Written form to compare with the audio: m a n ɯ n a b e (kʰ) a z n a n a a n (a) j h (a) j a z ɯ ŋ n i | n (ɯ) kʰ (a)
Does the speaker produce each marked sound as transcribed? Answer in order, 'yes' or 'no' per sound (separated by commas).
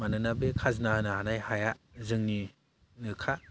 yes, yes, yes, yes, yes